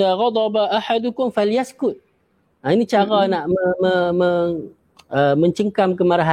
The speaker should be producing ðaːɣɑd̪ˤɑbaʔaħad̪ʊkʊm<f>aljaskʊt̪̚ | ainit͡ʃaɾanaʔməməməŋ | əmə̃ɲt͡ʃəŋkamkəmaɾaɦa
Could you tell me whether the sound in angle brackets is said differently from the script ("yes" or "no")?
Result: no